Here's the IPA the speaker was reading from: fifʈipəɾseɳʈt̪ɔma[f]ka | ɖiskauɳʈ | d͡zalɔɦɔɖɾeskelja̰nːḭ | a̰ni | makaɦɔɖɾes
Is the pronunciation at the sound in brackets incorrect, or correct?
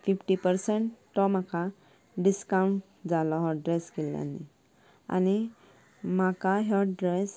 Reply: incorrect